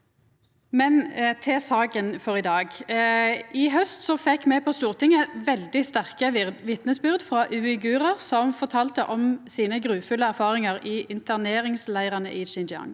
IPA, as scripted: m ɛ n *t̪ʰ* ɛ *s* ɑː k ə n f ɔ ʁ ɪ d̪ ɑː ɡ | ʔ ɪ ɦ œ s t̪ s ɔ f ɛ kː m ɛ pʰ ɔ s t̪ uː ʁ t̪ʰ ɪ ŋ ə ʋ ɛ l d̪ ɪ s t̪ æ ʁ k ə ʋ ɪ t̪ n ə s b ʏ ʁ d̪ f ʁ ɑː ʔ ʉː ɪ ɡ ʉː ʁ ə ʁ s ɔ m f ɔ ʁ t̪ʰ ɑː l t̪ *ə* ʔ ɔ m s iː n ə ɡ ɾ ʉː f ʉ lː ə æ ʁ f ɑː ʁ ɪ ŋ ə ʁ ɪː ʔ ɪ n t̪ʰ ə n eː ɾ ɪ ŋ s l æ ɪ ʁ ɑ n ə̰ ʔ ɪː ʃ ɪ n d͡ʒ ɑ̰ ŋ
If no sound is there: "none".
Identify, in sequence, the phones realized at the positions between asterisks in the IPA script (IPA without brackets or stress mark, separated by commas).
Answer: t̪ʰ, s, ə